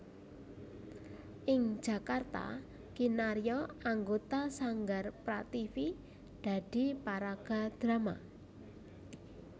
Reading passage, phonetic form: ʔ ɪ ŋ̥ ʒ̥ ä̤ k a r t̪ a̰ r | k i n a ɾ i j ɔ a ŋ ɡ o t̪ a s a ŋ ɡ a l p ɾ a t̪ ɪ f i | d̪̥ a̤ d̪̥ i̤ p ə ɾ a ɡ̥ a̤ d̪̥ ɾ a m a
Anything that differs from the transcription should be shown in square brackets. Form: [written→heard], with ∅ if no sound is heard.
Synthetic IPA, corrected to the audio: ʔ ɪ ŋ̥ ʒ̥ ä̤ k a r t̪ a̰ [r→∅] | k i n a ɾ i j ɔ a ŋ ɡ o t̪ a s a ŋ ɡ a [l→r] p ɾ a t̪ [ɪ→i] f i | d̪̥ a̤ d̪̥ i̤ p [ə→a] ɾ a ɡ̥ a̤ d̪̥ ɾ a m a

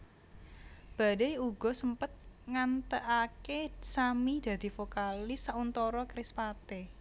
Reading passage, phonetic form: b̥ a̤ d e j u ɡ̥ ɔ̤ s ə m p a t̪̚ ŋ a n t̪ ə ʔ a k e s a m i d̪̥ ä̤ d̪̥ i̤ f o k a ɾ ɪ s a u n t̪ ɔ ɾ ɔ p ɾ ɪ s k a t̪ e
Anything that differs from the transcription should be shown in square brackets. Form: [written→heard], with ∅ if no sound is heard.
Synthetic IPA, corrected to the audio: b̥ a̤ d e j u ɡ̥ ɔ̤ s ə m p [a→ə] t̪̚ ŋ a n t̪ ə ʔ a k e s a m i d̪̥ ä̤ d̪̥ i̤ f o k a [ɾ→l] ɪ s a u n t̪ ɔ ɾ ɔ [p→k] ɾ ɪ s [k→p] a t̪ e

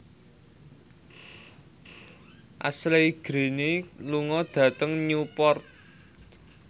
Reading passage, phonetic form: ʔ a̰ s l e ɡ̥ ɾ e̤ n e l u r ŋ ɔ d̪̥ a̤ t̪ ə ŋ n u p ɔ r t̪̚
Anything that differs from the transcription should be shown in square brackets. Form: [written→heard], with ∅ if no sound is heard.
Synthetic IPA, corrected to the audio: ʔ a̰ s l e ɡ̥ ɾ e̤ n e l u [r→∅] ŋ ɔ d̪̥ a̤ t̪ ə ŋ [n→ɲ] u p ɔ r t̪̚

